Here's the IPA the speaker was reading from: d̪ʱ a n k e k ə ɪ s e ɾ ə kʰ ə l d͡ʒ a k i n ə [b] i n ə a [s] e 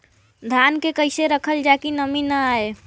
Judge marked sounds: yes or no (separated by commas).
no, no